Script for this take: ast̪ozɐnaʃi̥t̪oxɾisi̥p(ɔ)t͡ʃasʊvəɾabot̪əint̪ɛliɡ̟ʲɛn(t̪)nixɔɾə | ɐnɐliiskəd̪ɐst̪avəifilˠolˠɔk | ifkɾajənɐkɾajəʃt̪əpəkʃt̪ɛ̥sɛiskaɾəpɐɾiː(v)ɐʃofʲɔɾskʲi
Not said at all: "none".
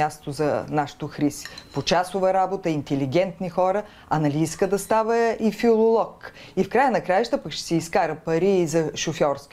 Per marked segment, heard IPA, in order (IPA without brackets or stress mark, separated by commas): o, t̪, z